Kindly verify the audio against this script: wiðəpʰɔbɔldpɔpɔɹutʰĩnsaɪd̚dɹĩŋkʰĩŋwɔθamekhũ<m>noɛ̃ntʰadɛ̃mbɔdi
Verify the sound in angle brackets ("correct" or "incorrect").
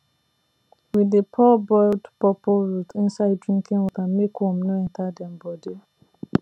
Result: correct